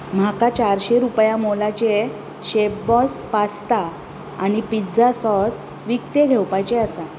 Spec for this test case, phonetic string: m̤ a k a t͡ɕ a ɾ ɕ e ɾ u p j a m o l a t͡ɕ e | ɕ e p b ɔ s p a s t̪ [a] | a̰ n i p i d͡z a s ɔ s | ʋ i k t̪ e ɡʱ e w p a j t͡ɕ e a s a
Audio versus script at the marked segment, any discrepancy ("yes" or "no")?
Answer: no